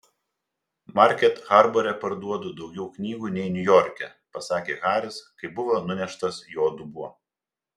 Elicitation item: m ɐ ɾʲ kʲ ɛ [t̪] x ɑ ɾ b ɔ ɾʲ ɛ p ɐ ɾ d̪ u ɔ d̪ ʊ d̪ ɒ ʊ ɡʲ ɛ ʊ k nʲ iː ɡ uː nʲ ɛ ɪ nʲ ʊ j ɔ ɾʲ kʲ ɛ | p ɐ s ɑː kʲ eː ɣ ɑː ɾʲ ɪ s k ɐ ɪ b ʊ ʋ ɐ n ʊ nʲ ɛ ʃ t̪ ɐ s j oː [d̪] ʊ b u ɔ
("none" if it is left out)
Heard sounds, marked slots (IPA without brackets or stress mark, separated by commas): t̪, d̪